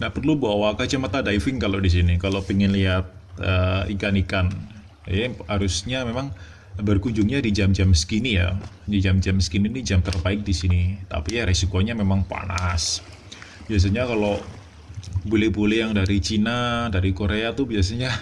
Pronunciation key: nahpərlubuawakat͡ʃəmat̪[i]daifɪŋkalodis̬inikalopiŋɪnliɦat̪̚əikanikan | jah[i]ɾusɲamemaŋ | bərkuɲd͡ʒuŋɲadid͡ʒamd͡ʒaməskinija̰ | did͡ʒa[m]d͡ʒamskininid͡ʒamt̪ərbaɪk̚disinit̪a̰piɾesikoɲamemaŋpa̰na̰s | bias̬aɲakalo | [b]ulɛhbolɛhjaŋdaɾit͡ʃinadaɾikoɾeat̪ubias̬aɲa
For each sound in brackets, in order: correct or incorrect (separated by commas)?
incorrect, incorrect, correct, correct